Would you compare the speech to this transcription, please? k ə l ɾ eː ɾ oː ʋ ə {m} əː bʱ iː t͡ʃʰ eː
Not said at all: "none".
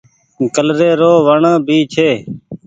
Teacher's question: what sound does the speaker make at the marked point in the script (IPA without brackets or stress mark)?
ɳ